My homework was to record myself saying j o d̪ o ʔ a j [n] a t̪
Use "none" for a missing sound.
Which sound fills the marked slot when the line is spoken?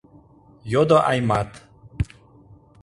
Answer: m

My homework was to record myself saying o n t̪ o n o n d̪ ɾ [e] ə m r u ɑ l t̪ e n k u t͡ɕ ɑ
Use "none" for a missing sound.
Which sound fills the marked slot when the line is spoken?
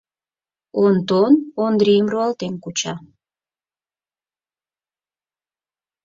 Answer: i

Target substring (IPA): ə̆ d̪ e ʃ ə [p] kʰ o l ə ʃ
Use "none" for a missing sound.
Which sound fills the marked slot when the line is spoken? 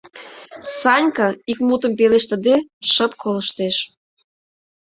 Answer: p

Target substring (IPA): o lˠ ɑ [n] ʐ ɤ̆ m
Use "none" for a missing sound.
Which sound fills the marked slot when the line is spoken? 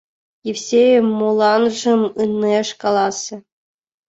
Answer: n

